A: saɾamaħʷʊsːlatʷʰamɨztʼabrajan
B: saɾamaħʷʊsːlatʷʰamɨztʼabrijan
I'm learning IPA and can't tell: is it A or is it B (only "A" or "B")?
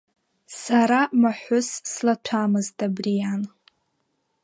B